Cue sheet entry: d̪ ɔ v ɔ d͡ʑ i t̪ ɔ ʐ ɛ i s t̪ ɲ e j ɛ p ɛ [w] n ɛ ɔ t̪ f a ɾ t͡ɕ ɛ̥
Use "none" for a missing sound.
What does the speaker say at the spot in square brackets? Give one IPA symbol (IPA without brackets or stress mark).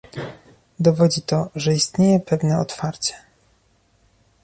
v